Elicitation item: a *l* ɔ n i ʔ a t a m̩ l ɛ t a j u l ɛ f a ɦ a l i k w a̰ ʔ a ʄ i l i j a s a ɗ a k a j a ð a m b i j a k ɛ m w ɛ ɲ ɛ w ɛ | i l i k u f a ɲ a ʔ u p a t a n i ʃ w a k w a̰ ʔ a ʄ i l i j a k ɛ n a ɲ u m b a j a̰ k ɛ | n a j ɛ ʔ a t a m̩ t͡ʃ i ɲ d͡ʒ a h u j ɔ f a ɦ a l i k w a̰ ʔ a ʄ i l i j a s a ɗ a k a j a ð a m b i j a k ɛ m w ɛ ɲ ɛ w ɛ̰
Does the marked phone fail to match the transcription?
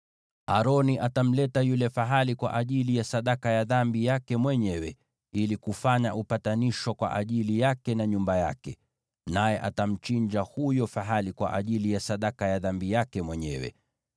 yes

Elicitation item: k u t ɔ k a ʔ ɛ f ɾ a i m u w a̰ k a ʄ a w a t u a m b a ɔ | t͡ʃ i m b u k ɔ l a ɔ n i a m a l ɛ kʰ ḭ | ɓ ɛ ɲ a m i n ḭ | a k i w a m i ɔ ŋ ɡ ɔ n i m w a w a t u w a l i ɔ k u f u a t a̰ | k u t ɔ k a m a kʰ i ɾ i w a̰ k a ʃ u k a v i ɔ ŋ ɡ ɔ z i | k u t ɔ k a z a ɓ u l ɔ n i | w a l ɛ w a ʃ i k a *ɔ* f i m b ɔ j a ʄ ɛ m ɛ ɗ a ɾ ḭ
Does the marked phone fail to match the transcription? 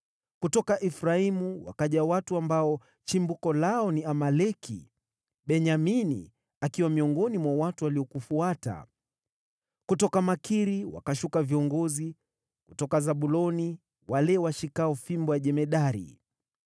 no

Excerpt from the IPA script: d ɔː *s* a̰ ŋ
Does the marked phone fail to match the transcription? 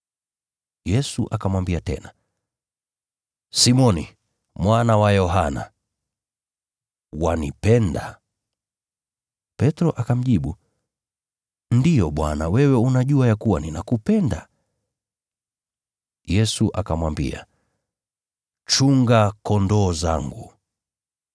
yes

